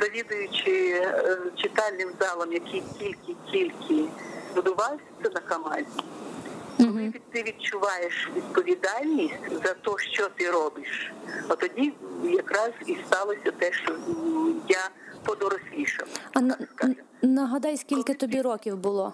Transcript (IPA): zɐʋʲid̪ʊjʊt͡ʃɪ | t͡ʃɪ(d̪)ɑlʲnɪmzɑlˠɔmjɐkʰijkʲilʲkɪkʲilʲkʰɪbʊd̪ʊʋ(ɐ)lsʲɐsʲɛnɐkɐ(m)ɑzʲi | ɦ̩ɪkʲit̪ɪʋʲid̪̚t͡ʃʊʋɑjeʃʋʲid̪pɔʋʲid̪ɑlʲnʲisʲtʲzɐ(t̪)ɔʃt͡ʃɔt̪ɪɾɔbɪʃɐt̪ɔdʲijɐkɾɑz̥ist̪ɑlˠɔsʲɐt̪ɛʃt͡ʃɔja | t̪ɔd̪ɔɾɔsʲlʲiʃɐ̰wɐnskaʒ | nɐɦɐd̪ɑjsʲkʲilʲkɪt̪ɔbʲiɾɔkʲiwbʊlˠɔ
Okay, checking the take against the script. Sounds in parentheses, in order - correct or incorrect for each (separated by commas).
incorrect, incorrect, correct, correct